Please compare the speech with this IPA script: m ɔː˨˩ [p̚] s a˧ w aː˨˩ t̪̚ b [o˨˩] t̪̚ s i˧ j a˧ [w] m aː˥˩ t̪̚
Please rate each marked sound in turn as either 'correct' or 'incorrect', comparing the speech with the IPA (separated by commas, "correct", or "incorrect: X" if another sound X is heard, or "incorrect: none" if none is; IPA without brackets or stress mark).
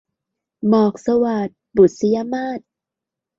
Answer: incorrect: k̚, incorrect: u˨˩, incorrect: none